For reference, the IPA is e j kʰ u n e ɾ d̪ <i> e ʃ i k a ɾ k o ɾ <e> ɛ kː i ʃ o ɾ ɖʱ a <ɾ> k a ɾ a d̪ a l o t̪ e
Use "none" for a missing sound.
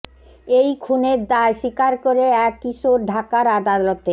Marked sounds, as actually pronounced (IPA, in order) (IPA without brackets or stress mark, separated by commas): a, e, none